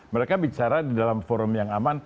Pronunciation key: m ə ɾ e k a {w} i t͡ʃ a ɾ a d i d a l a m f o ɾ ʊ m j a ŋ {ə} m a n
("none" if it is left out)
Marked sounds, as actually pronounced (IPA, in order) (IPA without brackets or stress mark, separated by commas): b, a